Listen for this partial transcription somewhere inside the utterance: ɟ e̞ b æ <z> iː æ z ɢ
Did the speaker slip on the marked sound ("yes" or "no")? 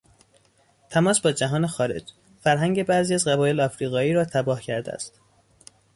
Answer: no